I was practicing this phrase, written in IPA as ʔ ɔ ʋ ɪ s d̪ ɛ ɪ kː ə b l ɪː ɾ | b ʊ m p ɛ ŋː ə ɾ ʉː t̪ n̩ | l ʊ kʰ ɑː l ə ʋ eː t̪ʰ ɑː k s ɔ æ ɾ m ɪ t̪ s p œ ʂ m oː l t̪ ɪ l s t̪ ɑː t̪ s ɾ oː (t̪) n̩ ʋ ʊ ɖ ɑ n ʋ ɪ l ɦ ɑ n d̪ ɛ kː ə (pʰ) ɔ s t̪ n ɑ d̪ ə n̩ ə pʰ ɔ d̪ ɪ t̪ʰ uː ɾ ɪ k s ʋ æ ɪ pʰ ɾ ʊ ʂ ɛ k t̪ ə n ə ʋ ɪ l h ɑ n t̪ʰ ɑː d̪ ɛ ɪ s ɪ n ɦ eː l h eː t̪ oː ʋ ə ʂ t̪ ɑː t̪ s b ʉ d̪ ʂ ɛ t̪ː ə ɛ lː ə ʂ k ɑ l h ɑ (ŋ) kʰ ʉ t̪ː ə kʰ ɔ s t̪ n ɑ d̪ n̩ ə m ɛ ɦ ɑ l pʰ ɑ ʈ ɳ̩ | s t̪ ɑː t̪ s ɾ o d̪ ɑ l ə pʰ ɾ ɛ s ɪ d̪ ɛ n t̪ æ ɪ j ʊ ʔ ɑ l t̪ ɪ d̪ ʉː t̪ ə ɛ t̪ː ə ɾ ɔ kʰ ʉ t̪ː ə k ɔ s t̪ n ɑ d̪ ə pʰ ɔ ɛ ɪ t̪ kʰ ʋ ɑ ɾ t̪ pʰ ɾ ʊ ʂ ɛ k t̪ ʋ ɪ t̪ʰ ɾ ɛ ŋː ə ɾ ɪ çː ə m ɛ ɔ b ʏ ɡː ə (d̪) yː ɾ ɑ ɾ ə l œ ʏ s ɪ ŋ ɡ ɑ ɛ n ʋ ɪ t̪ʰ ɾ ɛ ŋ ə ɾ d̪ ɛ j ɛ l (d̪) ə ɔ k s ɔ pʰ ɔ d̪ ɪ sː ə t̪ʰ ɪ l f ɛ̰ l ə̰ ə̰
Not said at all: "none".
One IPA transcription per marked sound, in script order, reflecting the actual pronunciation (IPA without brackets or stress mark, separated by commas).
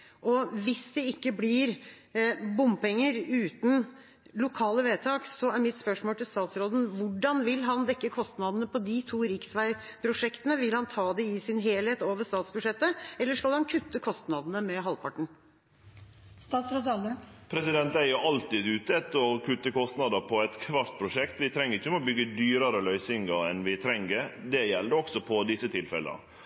d̪, kʰ, n, d̪, d̪